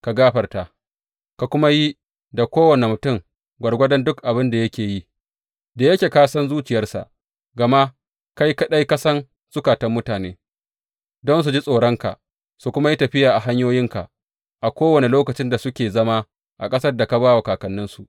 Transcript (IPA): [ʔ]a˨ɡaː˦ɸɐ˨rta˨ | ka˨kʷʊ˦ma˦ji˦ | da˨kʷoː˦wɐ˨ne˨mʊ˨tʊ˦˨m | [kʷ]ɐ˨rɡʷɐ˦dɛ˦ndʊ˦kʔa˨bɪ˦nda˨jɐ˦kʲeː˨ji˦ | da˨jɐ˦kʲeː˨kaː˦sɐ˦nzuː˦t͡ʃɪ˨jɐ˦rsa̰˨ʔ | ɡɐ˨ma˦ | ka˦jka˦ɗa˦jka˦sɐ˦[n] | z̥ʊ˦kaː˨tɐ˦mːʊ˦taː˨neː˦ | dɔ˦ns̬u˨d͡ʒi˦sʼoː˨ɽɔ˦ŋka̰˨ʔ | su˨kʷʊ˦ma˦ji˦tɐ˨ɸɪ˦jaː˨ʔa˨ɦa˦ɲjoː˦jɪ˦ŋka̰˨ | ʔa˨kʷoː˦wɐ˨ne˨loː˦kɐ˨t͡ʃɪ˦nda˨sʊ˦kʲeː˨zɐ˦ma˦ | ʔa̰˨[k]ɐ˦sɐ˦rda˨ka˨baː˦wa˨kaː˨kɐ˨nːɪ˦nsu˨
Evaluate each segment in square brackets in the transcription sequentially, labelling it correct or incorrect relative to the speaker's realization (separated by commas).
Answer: incorrect, incorrect, correct, incorrect